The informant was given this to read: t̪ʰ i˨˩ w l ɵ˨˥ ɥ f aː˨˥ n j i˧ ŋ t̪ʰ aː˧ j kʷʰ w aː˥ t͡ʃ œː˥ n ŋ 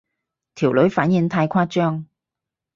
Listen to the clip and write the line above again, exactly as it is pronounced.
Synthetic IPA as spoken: t̪ʰ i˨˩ w l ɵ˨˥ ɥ f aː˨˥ n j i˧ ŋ t̪ʰ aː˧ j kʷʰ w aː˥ t͡ʃ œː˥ ŋ